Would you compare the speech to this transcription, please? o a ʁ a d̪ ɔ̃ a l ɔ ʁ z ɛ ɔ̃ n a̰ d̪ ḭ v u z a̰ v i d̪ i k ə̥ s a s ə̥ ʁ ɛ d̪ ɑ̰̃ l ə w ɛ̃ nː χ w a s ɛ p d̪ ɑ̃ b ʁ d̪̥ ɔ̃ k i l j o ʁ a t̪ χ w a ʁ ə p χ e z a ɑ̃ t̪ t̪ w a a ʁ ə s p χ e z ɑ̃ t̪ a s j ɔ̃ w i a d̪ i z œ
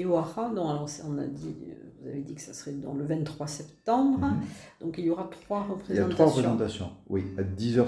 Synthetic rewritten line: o a ʁ a d̪ ɔ̃ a l ɔ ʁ s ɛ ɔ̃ n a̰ d̪ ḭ v u z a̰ v e d̪ i k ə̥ s a s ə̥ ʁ ɛ d̪ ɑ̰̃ l ə v ɛ̃ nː χ w a s ɛ p t̪ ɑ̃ b ʁ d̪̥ ɔ̃ k i l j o ʁ a t̪ χ w a ʁ ə p χ e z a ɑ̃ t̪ t̪ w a a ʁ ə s p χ e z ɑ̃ t̪ a s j ɔ̃ w i a d̪ i z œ